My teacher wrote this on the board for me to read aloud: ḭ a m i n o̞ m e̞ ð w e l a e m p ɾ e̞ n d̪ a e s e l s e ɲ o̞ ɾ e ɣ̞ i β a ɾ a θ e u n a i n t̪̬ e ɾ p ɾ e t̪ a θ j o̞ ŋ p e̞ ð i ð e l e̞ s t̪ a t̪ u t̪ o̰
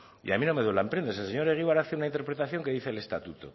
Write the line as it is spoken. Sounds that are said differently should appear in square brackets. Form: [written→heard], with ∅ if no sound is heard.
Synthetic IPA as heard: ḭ a m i n o̞ m e̞ ð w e l a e m p ɾ e̞ n d̪ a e s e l s e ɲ o̞ ɾ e ɣ̞ i β a ɾ a θ e u n a i n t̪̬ e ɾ p ɾ e t̪ a θ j o̞ ŋ [p→k] e̞ ð i [ð→θ] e l e̞ s t̪ a t̪ u t̪ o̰